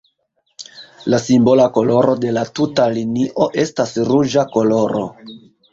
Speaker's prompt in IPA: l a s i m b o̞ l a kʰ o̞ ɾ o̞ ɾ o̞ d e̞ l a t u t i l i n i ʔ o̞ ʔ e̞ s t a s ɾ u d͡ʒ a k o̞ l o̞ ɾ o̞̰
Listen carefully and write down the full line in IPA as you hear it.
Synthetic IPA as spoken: l a s i m b o̞ l a k o̞ l o̞ ɾ o̞ d e̞ l a t u t a l i n i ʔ o̞ ʔ e̞ s t a s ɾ u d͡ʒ a k o̞ l o̞ ɾ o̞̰